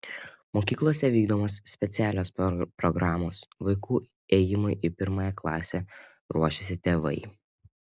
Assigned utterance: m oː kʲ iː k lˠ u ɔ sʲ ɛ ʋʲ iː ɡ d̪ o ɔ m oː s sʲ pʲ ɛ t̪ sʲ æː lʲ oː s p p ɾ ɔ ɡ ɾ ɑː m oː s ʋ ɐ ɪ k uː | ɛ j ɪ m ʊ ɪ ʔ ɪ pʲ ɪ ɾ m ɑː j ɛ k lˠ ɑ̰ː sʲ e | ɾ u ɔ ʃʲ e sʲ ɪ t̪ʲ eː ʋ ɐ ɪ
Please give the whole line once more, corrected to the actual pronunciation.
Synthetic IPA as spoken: m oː kʲ iː k lˠ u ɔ sʲ ɛ ʋʲ iː ɡ d̪ o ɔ m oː s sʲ pʲ ɛ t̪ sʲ æː lʲ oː s p p ɾ ɔ ɡ ɾ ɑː m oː s ʋ ɐ ɪ k uː | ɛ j ɪ m ʊ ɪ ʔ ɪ pʲ ɪ ɾ m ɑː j ɛ k lˠ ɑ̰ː sʲ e | ɾ u ɔ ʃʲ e sʲ ɪ t̪ʲ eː ʋ ɐ ɪ